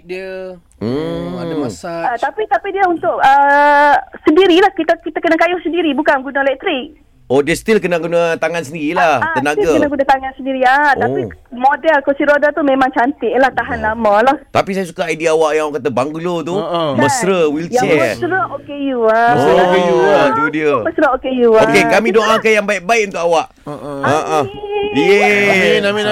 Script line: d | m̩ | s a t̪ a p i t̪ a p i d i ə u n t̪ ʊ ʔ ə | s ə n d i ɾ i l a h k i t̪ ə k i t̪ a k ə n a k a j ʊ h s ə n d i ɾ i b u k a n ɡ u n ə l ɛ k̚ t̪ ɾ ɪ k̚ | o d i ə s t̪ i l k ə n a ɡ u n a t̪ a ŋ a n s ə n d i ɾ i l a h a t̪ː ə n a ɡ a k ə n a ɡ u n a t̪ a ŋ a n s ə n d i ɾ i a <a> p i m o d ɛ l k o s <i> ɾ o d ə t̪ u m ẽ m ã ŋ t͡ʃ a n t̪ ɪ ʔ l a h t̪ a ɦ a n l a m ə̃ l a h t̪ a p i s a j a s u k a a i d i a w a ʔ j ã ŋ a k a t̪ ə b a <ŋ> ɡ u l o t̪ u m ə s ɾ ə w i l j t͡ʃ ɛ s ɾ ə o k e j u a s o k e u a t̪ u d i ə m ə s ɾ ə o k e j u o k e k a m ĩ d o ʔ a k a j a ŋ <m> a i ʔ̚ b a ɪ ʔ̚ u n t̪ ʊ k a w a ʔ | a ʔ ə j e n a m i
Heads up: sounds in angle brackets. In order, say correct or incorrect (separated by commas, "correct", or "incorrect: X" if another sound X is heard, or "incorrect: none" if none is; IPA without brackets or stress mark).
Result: correct, correct, correct, incorrect: b